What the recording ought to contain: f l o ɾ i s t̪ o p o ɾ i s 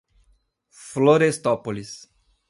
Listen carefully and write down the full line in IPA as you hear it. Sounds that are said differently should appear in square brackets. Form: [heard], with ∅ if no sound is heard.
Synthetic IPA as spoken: f l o ɾ [e] s t̪ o p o [l] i s